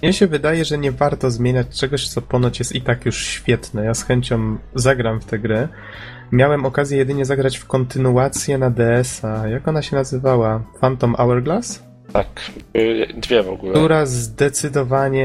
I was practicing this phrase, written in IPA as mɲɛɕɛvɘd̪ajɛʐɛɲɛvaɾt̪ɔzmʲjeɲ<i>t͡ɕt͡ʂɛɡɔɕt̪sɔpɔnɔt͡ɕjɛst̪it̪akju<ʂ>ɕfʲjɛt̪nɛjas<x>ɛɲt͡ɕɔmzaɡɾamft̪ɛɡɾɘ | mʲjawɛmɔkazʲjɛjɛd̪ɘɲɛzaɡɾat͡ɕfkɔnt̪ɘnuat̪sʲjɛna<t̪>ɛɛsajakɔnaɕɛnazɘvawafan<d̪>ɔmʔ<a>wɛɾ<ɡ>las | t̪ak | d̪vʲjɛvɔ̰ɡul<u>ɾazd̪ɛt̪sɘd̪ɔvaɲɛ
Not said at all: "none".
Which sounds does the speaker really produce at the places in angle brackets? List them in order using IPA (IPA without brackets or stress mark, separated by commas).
a, ʂ, x, d̪, t̪, a, ɡ, u